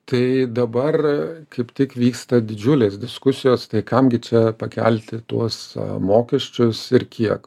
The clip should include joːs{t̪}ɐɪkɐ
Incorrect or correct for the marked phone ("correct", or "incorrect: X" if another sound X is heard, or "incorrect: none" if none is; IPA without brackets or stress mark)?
correct